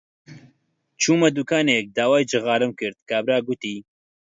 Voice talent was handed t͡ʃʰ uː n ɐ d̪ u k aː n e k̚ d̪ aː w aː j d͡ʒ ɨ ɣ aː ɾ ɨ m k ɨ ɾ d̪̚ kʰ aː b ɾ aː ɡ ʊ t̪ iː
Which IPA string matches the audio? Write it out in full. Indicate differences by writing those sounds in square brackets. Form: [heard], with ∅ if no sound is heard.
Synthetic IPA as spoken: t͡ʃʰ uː [m] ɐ d̪ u k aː n e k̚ d̪ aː w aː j d͡ʒ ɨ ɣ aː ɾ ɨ m k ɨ ɾ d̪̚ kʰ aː b ɾ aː ɡ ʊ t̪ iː